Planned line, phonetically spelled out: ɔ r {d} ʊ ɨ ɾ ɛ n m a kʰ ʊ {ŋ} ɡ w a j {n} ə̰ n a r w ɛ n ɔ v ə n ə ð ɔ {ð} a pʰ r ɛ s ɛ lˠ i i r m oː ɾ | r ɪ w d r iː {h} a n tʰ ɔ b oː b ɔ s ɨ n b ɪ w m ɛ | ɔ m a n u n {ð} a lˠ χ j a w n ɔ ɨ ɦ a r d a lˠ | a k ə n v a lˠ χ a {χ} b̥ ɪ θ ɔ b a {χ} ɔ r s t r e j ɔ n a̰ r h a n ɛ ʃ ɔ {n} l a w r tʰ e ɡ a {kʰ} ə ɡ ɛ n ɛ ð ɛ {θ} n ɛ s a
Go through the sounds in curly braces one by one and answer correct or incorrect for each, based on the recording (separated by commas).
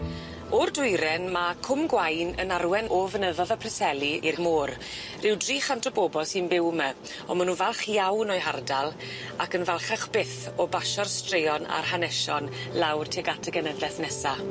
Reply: correct, incorrect, correct, correct, incorrect, incorrect, correct, incorrect, correct, incorrect, correct